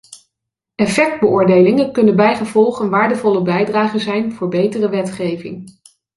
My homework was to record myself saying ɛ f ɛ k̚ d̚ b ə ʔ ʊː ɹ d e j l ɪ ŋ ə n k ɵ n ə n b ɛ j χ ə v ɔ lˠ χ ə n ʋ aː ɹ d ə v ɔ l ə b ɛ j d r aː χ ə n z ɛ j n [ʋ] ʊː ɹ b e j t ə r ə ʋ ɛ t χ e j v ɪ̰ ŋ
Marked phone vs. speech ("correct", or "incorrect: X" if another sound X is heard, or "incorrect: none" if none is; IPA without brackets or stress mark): incorrect: v